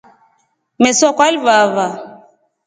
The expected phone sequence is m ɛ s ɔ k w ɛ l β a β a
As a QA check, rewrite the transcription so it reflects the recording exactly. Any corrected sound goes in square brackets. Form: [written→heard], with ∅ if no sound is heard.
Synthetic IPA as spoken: m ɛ s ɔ k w [ɛ→a] l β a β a